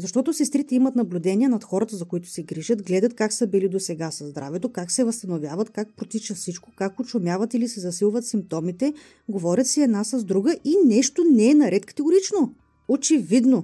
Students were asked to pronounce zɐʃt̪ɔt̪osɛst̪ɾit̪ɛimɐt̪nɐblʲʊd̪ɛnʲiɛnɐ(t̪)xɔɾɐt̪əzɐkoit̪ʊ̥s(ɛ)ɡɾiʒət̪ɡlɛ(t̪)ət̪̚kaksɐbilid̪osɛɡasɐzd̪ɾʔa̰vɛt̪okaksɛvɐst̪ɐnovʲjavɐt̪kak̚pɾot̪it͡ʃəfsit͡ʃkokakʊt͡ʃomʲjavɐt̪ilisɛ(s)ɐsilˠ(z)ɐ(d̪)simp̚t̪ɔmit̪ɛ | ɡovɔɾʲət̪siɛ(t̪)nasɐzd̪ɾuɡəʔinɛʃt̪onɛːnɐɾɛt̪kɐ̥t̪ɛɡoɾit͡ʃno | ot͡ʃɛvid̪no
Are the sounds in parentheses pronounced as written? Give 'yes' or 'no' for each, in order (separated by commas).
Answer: yes, yes, no, no, no, no, no